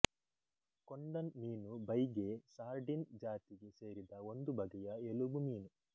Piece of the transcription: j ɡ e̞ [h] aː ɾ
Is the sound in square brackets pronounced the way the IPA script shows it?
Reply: no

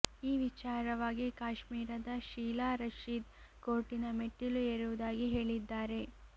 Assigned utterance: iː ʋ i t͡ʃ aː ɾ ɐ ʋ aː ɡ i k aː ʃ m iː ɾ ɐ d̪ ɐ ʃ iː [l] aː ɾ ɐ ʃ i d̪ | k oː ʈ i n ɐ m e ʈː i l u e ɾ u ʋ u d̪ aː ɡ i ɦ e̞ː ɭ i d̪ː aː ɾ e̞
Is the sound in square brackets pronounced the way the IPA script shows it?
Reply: yes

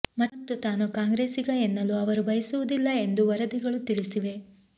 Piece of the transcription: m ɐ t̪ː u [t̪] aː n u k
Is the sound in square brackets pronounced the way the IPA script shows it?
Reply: yes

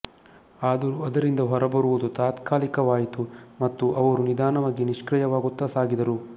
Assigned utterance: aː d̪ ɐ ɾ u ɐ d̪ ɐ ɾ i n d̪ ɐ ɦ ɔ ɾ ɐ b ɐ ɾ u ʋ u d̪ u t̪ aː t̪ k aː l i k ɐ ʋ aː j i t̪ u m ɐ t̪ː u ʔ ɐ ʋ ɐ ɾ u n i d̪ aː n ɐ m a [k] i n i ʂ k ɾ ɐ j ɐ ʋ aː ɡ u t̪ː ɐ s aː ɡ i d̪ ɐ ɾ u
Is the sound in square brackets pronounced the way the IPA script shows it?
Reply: no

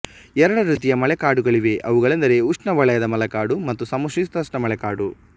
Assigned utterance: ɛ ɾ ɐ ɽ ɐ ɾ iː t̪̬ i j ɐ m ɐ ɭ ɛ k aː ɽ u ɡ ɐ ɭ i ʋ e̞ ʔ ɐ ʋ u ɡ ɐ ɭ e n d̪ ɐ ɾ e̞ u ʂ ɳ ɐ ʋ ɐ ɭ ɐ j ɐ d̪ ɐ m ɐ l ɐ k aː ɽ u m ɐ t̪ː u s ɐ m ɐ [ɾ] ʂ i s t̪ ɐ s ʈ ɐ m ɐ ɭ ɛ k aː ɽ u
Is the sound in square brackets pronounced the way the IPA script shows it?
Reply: no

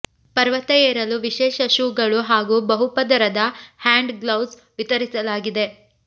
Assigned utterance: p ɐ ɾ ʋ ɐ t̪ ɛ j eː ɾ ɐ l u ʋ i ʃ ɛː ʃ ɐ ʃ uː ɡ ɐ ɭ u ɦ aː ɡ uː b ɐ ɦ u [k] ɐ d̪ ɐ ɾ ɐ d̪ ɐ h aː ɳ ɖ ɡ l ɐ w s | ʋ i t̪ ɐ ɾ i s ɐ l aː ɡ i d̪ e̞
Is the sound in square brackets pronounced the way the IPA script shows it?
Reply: no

